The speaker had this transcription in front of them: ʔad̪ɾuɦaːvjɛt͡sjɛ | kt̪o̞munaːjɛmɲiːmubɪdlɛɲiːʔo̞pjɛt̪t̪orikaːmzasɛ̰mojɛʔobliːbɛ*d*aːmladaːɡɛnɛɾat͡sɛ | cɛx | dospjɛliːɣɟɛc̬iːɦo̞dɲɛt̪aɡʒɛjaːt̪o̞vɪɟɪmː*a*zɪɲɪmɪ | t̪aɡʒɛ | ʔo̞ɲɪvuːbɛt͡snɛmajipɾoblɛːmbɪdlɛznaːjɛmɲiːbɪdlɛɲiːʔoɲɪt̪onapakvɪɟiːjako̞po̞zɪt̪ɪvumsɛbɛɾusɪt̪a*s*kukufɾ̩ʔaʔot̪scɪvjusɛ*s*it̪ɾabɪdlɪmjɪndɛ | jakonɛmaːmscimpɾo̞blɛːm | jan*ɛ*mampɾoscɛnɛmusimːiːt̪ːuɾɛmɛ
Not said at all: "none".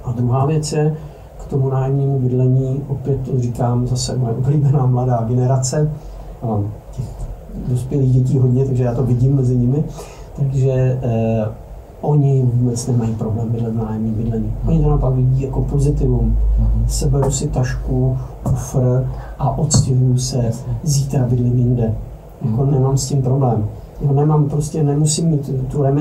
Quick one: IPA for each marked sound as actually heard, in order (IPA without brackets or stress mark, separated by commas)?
n, ɛ, ʃ, z, ɛ